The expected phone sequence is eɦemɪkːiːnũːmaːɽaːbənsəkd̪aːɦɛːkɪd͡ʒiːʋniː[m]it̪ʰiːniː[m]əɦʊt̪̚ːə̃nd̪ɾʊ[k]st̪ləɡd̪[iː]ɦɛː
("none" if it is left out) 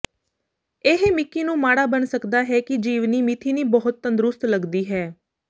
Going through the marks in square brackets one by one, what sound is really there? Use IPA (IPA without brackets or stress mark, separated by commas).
m, b, none, iː